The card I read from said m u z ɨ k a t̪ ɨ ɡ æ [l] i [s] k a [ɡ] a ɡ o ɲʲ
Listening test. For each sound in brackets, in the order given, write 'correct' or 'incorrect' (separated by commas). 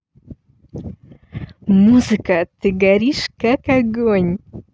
incorrect, incorrect, incorrect